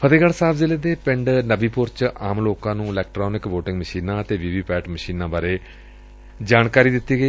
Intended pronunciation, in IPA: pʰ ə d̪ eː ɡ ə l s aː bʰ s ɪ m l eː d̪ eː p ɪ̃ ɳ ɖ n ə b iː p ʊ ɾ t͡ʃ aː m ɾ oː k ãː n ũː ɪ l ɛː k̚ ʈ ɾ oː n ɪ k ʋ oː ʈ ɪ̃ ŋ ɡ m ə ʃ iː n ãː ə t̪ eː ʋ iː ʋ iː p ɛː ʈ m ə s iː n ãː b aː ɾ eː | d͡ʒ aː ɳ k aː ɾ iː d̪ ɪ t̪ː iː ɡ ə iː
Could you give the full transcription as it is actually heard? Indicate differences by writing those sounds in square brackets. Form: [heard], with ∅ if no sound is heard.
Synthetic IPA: pʰ ə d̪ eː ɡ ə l s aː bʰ [z] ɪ [∅] l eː d̪ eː p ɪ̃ ɳ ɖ n ə b iː p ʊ ɾ t͡ʃ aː m [l] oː k ãː n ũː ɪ l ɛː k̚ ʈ ɾ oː n ɪ k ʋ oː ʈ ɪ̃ ŋ ɡ m ə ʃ iː n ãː ə t̪ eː ʋ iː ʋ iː p ɛː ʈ m ə [ʃ] iː n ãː b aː ɾ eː | d͡ʒ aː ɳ k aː ɾ iː d̪ ɪ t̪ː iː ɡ ə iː